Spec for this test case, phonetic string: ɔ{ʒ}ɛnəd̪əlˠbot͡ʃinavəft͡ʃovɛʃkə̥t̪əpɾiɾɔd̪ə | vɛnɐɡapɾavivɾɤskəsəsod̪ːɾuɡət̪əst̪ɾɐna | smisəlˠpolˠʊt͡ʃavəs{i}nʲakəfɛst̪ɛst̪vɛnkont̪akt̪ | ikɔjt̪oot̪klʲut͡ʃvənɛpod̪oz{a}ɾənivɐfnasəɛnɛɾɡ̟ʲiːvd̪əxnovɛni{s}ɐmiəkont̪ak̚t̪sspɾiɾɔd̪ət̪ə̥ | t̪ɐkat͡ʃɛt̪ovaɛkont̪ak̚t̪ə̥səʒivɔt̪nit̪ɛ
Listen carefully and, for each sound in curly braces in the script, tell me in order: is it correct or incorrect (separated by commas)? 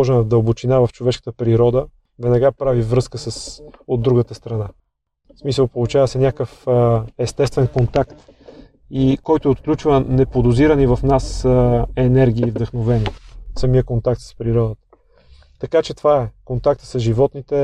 correct, incorrect, incorrect, correct